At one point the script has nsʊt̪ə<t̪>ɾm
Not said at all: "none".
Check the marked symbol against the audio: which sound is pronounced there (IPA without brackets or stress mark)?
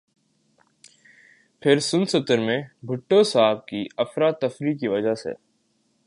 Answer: none